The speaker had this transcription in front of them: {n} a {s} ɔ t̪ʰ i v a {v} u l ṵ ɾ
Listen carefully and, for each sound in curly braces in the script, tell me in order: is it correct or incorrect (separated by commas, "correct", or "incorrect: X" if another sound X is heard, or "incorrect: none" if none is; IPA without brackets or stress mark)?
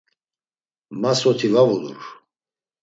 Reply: incorrect: m, correct, correct